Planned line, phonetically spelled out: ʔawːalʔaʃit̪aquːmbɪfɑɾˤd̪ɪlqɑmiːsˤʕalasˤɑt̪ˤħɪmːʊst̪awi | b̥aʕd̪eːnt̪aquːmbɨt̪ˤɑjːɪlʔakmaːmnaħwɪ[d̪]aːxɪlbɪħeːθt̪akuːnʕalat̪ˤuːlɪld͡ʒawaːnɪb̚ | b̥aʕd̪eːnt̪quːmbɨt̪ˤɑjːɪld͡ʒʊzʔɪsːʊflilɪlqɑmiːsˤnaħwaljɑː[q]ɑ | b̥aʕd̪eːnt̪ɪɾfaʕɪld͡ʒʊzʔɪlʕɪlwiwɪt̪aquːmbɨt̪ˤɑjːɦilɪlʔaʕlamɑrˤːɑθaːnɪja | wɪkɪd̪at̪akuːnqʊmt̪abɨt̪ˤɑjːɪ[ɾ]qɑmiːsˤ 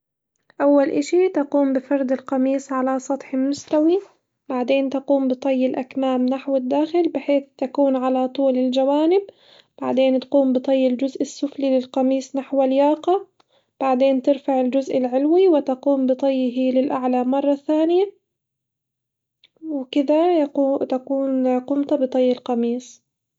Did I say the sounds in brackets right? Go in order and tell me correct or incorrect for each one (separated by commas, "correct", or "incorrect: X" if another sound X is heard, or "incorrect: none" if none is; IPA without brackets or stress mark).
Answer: incorrect: d̪ː, correct, incorrect: l